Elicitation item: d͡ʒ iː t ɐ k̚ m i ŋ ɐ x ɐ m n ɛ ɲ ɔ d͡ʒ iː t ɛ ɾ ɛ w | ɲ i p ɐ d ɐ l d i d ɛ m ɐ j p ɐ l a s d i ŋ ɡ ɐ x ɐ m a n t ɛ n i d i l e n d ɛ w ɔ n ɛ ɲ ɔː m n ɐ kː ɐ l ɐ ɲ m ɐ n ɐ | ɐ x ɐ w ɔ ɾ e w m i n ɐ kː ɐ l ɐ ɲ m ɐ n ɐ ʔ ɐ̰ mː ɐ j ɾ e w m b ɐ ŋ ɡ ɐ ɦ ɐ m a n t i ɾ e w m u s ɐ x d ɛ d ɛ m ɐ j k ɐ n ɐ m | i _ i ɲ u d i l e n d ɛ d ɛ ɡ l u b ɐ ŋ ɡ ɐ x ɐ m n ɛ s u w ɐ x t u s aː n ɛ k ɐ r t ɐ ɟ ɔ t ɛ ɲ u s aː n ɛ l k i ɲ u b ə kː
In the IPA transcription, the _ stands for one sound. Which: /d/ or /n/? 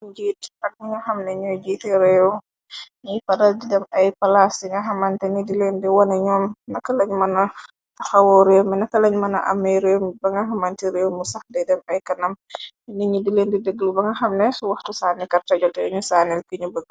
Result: n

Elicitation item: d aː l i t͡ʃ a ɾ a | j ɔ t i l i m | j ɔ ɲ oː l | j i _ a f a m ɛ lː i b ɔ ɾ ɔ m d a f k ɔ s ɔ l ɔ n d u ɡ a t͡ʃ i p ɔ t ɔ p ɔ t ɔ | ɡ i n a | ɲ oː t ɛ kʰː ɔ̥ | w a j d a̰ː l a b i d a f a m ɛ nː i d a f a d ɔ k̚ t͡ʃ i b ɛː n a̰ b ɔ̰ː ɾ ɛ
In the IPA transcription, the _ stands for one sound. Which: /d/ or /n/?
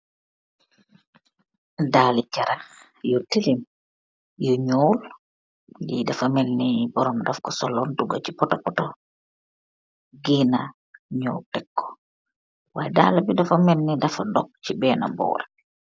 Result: d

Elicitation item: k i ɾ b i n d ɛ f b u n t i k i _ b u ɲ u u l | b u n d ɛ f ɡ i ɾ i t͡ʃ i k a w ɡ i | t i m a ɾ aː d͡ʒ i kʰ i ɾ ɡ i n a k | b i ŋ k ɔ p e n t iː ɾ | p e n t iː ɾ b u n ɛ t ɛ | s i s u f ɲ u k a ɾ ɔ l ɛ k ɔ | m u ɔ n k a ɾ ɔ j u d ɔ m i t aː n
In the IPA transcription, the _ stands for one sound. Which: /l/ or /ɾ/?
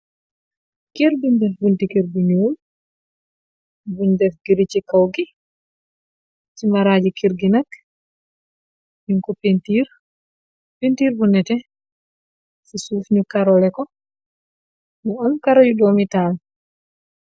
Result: ɾ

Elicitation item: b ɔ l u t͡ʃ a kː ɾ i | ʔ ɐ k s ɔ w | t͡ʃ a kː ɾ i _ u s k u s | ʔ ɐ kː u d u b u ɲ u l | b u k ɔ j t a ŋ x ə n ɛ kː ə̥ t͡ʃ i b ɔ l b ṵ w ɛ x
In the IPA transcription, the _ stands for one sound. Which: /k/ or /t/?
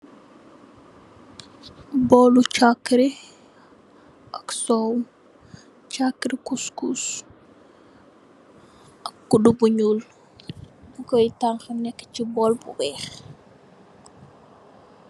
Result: k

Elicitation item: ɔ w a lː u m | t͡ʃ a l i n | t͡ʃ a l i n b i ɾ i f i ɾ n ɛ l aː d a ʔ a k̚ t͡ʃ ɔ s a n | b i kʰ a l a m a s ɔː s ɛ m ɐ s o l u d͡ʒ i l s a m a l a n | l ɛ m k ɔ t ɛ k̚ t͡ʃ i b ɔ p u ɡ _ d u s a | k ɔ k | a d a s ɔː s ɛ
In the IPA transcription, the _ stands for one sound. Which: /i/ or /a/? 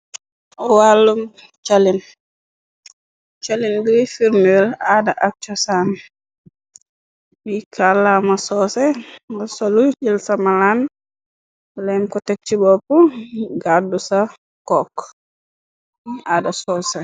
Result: a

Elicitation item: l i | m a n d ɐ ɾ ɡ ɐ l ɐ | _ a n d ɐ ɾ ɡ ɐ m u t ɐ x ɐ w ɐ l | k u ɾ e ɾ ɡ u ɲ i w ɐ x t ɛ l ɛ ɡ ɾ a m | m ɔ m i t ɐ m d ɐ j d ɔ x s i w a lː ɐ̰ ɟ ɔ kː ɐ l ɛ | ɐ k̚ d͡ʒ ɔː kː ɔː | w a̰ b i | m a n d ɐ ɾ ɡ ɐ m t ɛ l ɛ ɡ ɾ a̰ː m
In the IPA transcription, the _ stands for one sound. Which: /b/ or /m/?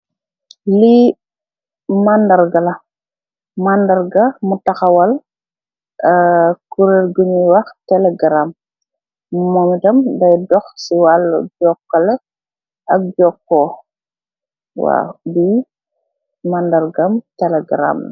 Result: m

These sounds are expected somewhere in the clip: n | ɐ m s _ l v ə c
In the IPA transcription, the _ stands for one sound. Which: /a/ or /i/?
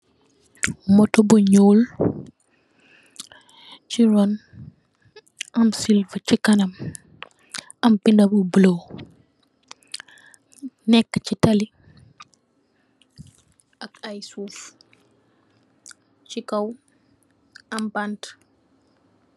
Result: i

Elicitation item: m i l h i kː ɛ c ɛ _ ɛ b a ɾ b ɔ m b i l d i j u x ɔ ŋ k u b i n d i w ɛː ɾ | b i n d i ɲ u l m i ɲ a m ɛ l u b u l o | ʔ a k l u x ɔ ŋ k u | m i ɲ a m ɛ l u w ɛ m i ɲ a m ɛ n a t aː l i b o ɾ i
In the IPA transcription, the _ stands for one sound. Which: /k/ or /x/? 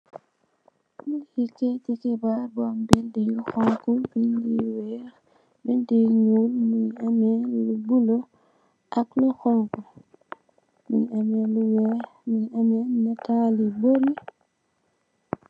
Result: k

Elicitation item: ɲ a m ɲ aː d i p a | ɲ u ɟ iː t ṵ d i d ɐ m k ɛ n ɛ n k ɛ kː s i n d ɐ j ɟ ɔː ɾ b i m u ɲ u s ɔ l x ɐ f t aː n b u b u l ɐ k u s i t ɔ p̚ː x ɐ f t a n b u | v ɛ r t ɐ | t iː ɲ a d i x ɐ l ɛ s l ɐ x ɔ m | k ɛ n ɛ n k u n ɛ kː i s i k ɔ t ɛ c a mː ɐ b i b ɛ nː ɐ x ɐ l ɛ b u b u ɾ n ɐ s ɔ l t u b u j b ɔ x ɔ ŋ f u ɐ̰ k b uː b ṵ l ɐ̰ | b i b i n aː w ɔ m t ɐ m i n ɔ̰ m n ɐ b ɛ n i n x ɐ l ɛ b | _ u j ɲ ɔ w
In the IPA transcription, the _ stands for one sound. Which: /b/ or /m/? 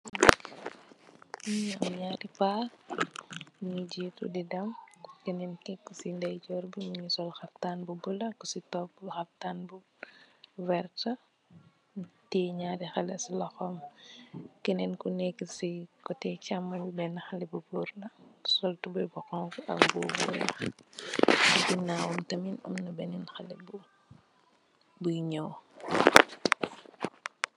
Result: b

